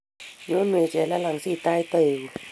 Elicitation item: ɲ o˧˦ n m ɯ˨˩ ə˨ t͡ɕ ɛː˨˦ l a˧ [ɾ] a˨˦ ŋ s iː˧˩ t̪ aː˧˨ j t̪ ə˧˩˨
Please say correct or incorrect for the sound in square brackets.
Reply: incorrect: l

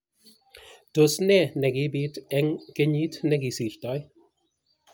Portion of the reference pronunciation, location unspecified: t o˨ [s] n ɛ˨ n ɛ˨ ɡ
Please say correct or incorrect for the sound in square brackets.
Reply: correct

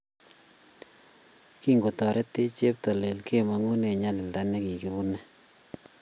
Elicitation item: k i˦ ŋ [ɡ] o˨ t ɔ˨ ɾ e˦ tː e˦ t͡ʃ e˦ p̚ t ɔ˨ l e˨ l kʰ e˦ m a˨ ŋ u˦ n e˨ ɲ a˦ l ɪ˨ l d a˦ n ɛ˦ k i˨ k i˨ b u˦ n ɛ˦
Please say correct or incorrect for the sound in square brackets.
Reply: correct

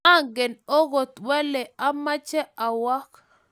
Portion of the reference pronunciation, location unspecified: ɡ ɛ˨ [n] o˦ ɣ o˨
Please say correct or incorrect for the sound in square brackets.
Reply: correct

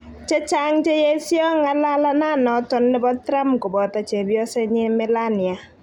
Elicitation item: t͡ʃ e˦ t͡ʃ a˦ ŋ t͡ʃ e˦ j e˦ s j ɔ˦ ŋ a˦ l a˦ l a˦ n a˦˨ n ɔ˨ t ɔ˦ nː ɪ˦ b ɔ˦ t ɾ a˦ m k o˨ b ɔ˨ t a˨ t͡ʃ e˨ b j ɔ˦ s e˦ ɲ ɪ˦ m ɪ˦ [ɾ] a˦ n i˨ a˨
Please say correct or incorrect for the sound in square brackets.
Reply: incorrect: l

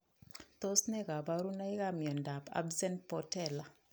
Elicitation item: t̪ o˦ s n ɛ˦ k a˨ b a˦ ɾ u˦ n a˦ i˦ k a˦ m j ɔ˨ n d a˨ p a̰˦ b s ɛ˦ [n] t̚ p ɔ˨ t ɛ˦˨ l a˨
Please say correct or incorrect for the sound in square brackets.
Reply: correct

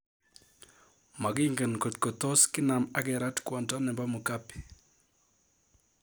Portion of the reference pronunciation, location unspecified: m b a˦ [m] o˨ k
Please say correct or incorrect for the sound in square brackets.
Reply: correct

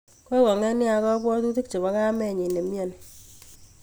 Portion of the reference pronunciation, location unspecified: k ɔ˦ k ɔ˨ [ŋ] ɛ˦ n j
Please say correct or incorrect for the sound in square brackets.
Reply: correct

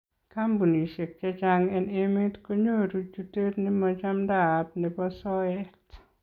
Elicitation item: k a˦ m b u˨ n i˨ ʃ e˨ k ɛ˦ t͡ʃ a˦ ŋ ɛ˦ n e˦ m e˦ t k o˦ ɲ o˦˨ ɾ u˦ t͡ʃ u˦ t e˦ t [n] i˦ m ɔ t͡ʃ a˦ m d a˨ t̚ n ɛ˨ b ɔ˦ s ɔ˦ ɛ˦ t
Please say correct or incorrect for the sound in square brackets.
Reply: correct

